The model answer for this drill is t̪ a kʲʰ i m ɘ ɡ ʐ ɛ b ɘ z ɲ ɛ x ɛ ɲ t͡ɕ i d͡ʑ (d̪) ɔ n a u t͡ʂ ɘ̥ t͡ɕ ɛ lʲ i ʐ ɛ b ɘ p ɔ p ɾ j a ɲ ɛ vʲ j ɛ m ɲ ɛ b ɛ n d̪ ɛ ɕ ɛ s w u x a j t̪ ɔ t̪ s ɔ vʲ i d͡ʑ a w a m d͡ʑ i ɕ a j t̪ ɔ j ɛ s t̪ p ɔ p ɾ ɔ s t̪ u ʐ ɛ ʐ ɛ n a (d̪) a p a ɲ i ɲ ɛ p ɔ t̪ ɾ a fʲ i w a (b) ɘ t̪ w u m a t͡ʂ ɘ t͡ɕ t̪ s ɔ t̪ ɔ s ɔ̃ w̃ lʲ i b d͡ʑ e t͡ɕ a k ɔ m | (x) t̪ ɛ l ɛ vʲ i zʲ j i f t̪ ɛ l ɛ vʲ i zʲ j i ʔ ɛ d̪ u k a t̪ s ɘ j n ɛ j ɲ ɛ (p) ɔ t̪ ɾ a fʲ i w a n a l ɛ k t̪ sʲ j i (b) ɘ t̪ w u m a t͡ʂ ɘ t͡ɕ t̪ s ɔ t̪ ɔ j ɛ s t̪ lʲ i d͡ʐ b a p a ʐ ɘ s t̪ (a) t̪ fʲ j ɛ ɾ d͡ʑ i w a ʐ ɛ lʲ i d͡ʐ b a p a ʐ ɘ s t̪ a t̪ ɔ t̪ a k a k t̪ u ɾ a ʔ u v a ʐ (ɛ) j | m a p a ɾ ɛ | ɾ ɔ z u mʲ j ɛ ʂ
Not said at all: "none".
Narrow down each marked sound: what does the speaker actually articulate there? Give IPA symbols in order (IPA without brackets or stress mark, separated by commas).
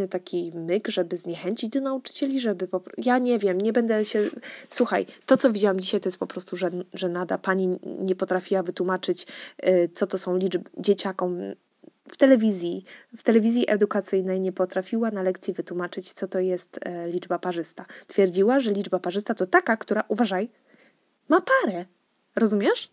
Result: d̪, d̪, v, f, p, v, a, a